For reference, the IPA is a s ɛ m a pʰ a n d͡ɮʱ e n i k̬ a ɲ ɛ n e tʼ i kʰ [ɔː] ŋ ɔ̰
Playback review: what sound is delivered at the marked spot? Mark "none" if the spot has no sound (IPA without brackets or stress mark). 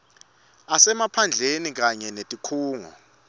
uː